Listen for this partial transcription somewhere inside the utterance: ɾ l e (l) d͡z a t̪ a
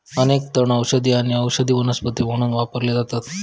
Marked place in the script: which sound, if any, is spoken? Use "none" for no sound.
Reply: none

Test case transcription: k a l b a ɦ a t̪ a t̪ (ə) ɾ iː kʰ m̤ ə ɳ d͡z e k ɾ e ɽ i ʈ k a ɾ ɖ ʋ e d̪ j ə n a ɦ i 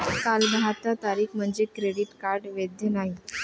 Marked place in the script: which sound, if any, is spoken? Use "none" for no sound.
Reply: a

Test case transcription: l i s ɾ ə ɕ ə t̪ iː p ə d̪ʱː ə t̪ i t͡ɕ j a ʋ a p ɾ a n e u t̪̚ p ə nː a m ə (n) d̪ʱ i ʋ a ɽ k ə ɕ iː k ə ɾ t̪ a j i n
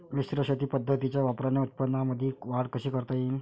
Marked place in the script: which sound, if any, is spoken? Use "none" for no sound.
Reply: none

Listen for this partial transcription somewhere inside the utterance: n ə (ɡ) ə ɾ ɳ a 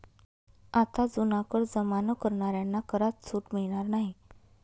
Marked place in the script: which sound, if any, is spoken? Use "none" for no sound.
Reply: k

